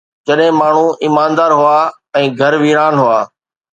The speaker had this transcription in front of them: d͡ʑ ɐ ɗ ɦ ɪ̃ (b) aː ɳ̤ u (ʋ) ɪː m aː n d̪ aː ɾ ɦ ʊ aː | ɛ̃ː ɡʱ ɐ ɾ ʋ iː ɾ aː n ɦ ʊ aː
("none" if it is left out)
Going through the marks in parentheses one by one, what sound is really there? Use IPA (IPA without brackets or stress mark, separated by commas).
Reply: m, none